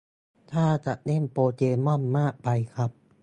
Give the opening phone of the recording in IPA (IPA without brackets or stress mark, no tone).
t̪ʰ